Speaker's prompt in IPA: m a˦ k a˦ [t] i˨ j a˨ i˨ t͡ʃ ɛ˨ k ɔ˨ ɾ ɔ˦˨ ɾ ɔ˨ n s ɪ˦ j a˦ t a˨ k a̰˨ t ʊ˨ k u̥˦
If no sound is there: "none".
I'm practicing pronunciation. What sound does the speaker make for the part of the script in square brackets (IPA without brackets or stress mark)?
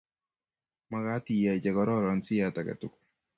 t